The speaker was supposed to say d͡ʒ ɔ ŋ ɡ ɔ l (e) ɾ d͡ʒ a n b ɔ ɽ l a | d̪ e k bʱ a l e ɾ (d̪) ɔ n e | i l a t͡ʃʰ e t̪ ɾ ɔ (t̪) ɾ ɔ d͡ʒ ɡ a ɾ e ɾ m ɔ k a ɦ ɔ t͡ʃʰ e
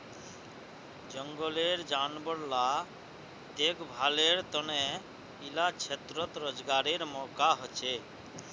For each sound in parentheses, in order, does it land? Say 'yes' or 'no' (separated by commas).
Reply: yes, no, yes